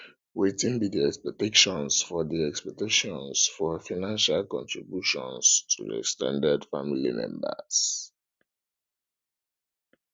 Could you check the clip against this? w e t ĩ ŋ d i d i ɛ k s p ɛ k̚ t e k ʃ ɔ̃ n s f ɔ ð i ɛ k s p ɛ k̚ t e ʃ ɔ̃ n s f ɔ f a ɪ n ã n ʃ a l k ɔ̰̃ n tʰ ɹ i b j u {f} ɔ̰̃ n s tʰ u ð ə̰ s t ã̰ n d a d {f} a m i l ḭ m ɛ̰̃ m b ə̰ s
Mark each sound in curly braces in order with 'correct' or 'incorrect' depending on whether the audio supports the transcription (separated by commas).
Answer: incorrect, correct